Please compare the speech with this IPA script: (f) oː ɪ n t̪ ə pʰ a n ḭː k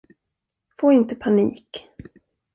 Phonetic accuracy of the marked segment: correct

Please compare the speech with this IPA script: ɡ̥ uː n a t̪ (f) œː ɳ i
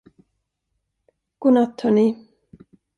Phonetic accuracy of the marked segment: incorrect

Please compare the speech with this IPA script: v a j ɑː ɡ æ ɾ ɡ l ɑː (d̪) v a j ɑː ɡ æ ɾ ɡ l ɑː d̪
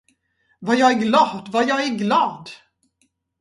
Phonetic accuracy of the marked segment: correct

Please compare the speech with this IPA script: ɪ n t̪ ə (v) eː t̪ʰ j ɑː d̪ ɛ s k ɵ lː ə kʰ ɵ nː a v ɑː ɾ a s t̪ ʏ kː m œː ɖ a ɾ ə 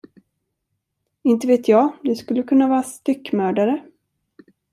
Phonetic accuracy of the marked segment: correct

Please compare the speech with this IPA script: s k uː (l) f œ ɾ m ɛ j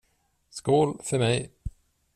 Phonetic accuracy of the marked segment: correct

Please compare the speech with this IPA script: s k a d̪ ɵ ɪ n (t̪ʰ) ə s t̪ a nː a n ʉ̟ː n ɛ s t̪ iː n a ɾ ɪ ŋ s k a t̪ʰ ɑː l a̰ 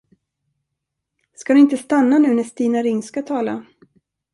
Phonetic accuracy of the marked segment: incorrect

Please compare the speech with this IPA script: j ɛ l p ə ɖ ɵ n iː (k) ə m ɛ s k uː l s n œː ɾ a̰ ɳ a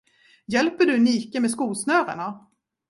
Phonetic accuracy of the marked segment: correct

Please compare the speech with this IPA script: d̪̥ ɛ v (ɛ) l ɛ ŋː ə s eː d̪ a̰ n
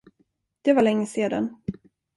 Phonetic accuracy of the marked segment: incorrect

